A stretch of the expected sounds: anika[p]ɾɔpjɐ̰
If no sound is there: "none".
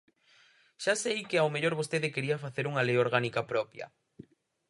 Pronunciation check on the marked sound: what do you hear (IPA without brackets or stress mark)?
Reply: p